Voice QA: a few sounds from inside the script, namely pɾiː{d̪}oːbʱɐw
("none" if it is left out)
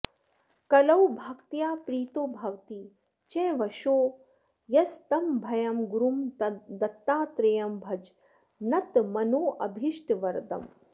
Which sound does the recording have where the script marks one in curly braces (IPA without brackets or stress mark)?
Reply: t̪